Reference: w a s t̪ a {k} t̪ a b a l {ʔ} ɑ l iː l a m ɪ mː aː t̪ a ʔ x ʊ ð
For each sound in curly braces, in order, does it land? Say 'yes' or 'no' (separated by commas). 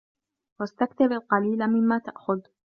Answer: yes, no